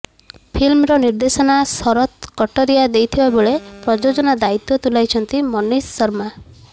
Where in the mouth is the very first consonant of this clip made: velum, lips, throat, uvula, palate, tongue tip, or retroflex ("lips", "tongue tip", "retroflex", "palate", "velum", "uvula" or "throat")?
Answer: lips